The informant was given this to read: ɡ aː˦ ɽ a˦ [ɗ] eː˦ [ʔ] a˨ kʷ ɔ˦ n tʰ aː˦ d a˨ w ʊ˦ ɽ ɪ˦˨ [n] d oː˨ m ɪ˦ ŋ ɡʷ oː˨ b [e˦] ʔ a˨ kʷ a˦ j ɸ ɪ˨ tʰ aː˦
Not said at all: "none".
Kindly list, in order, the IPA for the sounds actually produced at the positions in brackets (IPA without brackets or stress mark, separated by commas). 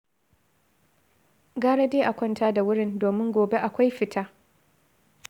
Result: d, ʔ, n, e˦